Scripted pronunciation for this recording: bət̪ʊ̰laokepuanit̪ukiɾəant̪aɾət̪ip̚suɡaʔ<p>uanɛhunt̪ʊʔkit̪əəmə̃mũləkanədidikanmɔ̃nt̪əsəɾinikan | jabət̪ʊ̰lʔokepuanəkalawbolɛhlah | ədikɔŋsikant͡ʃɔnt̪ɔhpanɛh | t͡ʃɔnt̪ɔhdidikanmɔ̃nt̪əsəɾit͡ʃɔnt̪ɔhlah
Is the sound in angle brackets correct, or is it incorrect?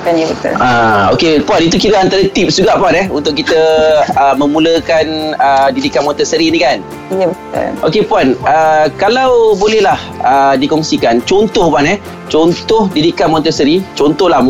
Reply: correct